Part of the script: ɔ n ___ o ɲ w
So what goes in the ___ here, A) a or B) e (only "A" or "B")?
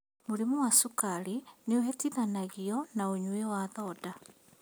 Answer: A